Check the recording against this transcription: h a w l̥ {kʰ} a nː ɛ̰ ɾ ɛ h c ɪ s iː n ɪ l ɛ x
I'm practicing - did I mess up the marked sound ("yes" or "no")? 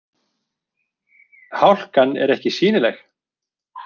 yes